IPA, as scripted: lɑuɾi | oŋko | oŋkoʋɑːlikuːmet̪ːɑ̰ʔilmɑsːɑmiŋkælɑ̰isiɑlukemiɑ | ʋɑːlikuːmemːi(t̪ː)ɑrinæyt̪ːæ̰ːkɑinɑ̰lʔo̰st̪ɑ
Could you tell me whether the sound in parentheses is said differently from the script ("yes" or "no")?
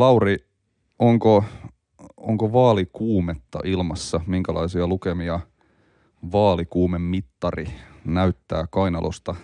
no